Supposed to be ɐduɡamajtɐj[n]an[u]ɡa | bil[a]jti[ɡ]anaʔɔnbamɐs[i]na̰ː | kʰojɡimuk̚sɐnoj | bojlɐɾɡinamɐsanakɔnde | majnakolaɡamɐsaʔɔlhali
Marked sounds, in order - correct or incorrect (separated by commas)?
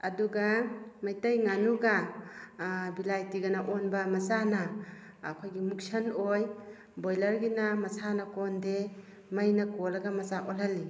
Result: incorrect, correct, correct, correct, incorrect